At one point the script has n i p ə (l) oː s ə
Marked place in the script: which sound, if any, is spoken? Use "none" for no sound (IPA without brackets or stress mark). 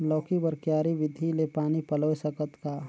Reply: l